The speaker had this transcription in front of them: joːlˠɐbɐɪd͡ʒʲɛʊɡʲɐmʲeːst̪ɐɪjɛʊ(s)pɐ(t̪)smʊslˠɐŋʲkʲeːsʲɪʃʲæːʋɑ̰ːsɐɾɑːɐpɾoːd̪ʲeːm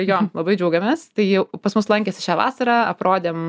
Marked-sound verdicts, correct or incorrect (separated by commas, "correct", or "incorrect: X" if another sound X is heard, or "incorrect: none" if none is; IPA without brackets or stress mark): incorrect: none, incorrect: none